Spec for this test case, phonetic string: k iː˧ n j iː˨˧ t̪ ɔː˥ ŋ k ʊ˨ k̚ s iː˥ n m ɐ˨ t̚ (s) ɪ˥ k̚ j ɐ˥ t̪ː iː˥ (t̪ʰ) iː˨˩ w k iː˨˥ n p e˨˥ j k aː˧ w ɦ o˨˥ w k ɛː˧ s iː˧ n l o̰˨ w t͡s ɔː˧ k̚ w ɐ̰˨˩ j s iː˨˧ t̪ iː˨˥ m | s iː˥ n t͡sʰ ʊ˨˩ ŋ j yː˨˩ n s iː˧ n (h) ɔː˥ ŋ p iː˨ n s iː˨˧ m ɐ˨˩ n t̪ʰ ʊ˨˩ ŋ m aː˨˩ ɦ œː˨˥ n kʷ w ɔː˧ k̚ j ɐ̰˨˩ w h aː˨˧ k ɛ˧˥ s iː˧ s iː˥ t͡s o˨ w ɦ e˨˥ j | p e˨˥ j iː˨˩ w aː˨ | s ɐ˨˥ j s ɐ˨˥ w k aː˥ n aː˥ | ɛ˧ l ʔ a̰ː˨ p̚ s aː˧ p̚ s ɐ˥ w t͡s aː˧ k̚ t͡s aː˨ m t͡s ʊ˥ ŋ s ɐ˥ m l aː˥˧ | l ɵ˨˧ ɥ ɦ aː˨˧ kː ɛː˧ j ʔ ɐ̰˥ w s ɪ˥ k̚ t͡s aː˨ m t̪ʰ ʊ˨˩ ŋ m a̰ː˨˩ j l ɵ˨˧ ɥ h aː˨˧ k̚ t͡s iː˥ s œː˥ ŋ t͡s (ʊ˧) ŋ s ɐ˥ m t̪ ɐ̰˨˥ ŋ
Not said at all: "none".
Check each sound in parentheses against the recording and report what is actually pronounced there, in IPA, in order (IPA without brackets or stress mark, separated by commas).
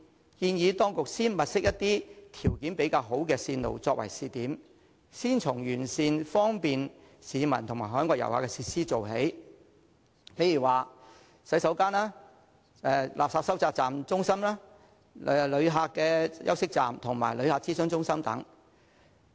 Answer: s, t̪ʰ, f, ʊ˥